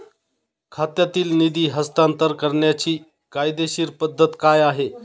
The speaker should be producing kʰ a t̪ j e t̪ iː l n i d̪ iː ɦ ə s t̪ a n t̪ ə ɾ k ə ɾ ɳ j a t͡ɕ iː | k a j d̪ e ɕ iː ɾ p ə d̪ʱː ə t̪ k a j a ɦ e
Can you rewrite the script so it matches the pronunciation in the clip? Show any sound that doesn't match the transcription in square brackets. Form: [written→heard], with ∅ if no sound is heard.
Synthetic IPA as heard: kʰ a t̪ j [e→a] t̪ iː l n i d̪ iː ɦ ə s t̪ a n t̪ ə ɾ k ə ɾ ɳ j a t͡ɕ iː | k a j d̪ e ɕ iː ɾ p ə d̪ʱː ə t̪ k a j a ɦ e